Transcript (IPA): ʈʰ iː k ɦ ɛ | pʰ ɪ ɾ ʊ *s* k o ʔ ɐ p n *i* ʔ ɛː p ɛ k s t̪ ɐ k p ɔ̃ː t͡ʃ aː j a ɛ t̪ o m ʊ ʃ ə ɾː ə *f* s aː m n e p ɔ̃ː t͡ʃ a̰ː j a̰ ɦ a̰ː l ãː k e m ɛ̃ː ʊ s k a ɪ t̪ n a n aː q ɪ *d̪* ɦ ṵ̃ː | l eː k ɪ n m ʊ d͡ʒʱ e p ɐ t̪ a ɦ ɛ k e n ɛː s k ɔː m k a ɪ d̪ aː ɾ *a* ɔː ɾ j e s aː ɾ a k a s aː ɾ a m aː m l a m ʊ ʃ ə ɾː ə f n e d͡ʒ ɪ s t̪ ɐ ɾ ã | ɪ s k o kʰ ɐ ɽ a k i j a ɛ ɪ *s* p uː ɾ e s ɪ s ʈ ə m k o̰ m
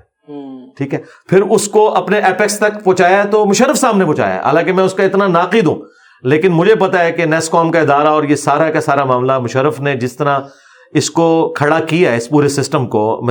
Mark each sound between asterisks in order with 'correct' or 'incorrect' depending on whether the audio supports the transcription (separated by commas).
correct, incorrect, correct, correct, correct, correct